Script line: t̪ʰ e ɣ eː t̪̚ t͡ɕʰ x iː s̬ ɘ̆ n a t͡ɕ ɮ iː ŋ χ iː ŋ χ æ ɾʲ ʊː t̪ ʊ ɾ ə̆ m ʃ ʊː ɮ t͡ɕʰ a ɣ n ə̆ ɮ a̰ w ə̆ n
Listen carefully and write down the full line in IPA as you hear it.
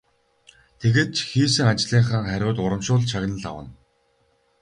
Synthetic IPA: t̪ʰ e ɣ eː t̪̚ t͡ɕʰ x iː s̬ ɘ̆ ŋ a t͡ɕ ɮ iː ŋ χ aː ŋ χ æ ɾʲ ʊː t̪ ʊ ɾ ə̆ m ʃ ʊː ɮ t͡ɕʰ a ɣ n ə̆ ɮ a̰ w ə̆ n

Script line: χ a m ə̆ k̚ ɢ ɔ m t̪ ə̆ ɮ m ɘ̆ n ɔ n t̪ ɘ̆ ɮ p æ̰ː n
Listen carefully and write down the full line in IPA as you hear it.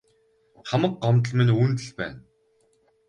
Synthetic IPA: χ a m ə̆ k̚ ɢ ɔ m t̪ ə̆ ɮ m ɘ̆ n u n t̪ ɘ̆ ɮ p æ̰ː n

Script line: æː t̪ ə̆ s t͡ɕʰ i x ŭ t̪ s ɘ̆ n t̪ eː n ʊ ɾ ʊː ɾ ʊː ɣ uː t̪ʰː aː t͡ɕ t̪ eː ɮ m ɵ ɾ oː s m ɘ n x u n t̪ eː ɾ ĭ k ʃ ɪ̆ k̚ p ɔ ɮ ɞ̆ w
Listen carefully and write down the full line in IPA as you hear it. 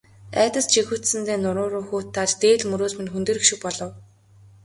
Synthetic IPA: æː t̪ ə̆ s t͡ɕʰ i x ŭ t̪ s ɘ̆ n t̪ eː n ʊ ɾ ʊː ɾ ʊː x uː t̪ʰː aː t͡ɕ t̪ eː ɮ m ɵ ɾ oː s m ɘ n x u n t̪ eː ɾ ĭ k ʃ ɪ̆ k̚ p ɔ ɮ ɞ̆ w

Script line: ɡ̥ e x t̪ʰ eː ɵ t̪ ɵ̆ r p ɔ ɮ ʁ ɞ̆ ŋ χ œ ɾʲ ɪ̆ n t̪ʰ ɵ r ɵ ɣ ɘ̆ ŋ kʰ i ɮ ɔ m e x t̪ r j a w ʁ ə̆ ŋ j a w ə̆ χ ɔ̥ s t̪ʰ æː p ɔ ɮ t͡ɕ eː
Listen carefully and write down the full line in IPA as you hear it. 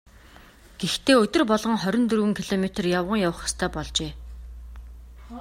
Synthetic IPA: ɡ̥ e x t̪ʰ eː ɵ t̪ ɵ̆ r p ɔ ɮ ʁ ɞ̆ ŋ χ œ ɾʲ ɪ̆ n t̪ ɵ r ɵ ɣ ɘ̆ ŋ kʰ i ɮ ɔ m e t̪ r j a w ʁ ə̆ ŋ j a w ə̆ χ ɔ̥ s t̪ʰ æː p ɔ ɮ t͡ɕ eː

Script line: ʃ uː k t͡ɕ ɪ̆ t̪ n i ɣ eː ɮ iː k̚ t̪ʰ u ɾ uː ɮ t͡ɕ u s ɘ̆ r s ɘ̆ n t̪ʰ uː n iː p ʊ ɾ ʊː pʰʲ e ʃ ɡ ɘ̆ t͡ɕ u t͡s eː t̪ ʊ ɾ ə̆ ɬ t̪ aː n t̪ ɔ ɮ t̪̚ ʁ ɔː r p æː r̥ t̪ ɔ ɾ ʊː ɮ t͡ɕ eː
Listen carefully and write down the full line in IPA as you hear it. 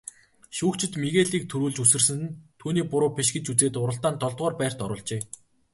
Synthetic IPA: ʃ uː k t͡ɕ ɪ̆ t̪ m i ɣ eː ɮ iː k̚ t̪ʰ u ɾ uː ɮ t͡ɕ u s ɘ̆ r s ɘ̆ n t̪ʰ uː n iː p ʊ ɾ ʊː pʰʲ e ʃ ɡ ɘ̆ t͡ɕ u t͡s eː t̪ ʊ ɾ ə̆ ɬ t̪ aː n t̪ ɔ ɮ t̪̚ ʁ ɔː r p æː r̥ t̪ ɔ ɾ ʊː ɮ t͡ɕ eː

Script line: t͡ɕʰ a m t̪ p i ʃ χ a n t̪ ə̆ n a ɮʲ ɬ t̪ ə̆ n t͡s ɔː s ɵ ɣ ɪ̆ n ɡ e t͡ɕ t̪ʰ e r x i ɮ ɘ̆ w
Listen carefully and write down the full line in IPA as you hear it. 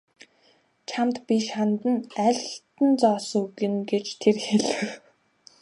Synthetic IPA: t͡ɕʰ a m t̪ p i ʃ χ a n t̪ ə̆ n æ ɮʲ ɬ t̪ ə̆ n t͡s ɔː s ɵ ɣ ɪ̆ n ɡ e t͡ɕ t̪ʰ e r x e ɮ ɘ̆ w

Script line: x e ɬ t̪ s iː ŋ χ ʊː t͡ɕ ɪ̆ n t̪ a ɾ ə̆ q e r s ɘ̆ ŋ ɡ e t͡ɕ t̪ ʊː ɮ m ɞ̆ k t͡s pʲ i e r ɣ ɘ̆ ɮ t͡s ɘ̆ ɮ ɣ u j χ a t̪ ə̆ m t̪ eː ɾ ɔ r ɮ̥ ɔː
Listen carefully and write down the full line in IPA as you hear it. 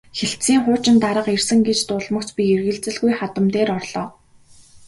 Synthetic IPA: x e ɬ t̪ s iː ŋ χ ʊː t͡ɕ ɪ̆ n t̪ a ɾ ə̆ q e r s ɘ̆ ŋ ɡ e t͡ɕ t̪ ʊː ɮ m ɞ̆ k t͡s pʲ i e r ɣ ɘ̆ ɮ t͡s ɘ̆ ɮ ɣ u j χ a t̪ ə̆ m t̪ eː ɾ ɔ r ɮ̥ ɔː

